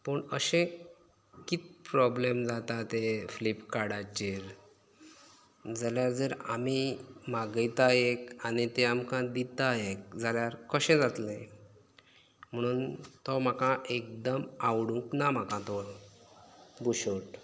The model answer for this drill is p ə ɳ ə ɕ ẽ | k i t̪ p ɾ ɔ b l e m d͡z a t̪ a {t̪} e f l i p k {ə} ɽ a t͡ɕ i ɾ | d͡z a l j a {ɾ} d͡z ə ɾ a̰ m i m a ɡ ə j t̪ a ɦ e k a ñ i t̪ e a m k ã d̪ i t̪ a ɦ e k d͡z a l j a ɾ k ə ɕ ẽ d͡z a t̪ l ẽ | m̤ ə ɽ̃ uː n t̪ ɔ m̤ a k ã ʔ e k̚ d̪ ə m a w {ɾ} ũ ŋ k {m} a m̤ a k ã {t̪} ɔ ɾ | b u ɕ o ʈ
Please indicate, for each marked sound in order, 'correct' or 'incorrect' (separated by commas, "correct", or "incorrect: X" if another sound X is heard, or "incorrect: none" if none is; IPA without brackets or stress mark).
correct, incorrect: a, correct, incorrect: ɽ, incorrect: n, correct